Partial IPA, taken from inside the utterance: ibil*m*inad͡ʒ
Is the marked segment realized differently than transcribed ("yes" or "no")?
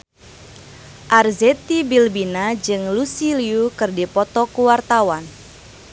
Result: yes